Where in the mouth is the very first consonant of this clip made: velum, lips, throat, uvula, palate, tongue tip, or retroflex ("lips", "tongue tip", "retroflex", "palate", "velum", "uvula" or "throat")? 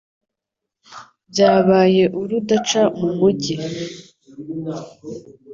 lips